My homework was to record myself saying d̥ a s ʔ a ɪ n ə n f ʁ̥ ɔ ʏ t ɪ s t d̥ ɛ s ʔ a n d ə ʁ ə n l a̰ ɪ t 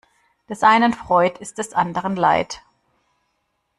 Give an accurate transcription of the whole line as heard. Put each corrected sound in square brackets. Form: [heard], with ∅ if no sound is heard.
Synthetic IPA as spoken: d̥ [ɛ] s ʔ a ɪ n ə n f ʁ̥ ɔ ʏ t ɪ s t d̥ ɛ s ʔ a n d ə ʁ ə n l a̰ ɪ t